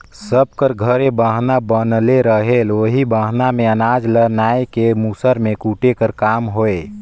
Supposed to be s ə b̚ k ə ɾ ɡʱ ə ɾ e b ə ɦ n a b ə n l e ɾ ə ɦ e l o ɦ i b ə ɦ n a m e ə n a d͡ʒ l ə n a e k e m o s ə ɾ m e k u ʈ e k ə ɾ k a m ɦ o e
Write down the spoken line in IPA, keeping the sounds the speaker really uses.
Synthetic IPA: s ə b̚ k ə ɾ ɡʱ ə ɾ e b ə ɦ n a b ə n l e ɾ ə ɦ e l o ɦ i b ə ɦ n a m e ə n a d͡ʒ l ə n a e k e m u s ə ɾ m e k u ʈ e k ə ɾ k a m ɦ o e